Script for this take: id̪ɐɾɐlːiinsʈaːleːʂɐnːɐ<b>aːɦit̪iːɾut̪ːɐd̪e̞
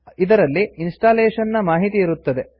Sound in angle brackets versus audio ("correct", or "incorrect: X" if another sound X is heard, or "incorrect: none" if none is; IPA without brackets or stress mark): incorrect: m